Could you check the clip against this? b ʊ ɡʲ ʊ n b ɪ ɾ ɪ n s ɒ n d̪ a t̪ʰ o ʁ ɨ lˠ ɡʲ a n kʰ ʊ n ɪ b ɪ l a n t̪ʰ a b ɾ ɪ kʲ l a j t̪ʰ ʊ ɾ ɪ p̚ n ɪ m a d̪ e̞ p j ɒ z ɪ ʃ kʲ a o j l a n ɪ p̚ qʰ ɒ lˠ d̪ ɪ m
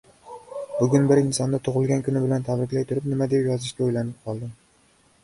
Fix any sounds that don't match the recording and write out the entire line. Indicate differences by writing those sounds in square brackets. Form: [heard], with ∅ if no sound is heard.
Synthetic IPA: b ʊ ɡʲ ʊ n b ɪ ɾ ɪ n s ɒ n d̪ a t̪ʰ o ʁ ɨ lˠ ɡʲ a n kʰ ʊ n ɪ b ɪ l a n t̪ʰ a b ɾ ɪ kʲ l a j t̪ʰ ʊ ɾ ɪ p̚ n ɪ m a d̪ e̞ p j ɒ z ɪ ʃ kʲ a o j l a n ɪ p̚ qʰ ɒ lˠ d̪ ɪ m